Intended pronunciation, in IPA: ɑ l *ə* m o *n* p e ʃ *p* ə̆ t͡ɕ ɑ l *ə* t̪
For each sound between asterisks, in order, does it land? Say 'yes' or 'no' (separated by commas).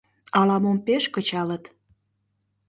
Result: no, no, no, yes